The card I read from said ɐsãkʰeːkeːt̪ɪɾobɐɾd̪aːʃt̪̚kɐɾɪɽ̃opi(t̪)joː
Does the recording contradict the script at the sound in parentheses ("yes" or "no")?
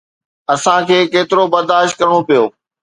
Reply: yes